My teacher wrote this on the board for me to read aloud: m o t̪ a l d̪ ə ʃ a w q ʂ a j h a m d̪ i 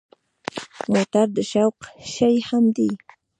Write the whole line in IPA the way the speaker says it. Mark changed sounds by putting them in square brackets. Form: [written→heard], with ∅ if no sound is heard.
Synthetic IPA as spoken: m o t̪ a [l→ɾ] d̪ ə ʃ a w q [ʂ→ʃ] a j h a m d̪ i